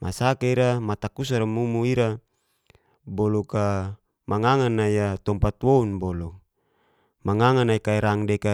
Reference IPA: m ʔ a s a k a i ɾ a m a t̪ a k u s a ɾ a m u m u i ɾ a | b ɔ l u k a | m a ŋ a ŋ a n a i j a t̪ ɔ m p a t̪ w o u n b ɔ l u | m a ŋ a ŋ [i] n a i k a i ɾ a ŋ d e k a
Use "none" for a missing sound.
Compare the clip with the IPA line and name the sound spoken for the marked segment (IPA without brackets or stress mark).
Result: a